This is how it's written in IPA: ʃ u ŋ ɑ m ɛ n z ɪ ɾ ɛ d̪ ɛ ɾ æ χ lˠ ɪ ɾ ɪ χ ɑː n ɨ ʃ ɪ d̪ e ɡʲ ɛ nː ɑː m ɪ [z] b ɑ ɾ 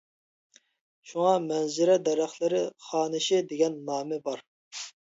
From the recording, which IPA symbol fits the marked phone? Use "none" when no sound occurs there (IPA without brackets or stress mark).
none